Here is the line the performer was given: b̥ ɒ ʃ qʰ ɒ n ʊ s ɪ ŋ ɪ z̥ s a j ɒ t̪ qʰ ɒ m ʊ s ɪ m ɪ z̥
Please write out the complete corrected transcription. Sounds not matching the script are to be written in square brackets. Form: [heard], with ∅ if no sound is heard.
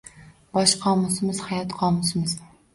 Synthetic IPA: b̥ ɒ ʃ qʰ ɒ [m] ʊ s ɪ [m] ɪ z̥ [h] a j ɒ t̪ qʰ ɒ m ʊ s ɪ m ɪ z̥